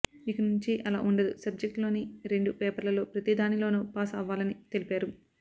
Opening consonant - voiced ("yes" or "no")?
no